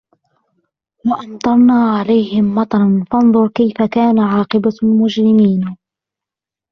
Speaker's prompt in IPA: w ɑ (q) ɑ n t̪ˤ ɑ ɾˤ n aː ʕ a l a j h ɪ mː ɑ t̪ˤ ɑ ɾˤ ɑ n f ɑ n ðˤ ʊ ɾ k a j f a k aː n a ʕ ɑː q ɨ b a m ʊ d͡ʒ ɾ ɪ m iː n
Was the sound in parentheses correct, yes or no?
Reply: no